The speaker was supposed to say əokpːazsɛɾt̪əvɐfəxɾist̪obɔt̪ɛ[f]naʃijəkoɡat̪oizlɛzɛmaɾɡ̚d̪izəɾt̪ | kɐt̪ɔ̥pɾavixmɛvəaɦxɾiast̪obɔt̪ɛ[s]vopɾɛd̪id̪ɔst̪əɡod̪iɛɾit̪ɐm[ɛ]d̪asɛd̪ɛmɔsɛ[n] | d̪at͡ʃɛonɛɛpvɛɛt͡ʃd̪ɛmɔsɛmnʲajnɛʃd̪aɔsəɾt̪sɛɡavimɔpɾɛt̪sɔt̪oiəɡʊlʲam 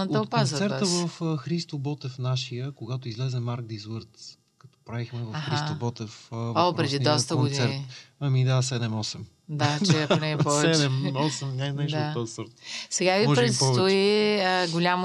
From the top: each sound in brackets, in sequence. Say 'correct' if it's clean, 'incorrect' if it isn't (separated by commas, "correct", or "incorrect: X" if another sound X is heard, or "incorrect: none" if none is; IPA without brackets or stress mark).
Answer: correct, incorrect: f, incorrect: i, incorrect: m